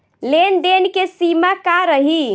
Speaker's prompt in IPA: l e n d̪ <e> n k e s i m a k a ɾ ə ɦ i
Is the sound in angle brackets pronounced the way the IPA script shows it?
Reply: yes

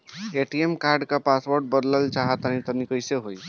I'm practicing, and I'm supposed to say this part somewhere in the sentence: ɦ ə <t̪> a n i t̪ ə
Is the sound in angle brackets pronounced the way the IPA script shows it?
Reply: yes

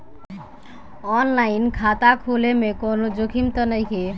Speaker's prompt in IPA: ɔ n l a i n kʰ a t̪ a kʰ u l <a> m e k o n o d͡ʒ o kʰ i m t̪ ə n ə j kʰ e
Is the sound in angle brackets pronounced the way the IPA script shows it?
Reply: no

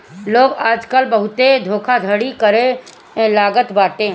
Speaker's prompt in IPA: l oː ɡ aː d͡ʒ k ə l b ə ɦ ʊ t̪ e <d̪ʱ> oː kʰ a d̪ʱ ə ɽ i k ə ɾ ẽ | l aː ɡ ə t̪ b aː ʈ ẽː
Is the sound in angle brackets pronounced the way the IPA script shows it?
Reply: yes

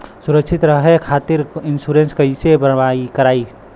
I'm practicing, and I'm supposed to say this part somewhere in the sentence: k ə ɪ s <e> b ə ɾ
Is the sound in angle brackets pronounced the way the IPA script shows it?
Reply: yes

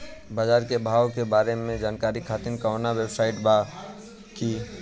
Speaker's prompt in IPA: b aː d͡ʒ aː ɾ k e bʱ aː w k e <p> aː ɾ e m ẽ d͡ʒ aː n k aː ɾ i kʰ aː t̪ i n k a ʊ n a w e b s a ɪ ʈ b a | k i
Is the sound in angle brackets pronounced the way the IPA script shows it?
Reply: no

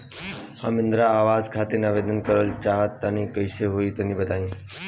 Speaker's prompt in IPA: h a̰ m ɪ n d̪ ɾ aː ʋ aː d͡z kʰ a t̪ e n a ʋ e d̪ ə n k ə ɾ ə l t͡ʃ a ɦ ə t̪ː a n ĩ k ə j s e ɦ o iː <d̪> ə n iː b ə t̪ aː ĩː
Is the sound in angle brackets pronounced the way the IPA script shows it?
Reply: no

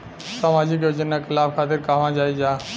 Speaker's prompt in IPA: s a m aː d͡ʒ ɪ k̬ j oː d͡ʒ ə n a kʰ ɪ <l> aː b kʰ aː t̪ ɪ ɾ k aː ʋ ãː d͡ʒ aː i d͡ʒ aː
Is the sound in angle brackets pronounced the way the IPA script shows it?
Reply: yes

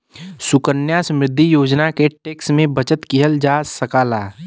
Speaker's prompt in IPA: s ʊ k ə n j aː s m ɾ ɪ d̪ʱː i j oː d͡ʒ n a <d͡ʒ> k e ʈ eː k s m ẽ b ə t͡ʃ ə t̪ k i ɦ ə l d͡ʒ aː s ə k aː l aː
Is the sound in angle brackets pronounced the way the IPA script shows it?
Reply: no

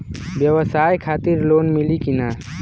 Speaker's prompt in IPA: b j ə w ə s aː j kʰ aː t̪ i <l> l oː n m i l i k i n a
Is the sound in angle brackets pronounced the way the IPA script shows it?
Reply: no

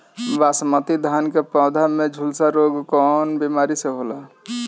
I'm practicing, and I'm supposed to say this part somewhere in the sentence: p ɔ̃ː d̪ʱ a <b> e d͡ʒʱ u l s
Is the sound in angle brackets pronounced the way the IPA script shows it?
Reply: no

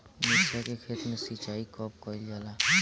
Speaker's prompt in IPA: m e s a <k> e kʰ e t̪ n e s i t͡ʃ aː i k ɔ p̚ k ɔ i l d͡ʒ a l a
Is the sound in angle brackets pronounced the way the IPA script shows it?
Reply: yes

